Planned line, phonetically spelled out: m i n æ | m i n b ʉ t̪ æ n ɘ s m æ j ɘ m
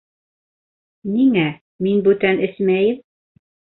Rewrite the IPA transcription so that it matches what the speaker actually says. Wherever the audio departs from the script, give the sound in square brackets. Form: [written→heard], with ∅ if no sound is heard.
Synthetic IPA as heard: [m→n] i [n→ŋ] æ | m i n b ʉ t̪ æ n ɘ s m æ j ɘ m